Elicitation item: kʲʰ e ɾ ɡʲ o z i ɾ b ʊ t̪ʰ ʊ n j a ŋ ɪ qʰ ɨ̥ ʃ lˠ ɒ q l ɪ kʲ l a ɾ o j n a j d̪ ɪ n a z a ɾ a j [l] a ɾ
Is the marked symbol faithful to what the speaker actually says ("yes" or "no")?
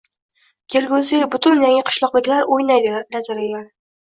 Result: yes